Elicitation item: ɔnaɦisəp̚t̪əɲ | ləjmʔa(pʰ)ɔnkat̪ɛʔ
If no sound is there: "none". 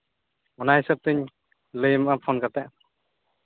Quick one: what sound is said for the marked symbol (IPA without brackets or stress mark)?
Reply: pʰ